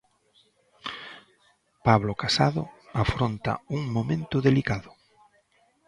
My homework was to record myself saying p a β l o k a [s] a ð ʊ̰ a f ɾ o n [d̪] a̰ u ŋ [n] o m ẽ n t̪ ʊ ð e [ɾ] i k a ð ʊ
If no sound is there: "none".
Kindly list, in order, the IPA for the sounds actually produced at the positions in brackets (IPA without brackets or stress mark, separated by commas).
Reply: s, t̪, m, l